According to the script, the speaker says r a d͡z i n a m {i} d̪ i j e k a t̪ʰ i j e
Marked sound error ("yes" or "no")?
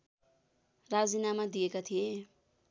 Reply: yes